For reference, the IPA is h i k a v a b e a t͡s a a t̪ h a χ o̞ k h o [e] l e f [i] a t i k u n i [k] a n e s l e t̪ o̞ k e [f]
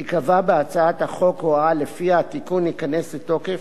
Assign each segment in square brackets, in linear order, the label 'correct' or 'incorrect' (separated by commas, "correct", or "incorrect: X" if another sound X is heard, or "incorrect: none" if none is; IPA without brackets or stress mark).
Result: incorrect: a, correct, correct, correct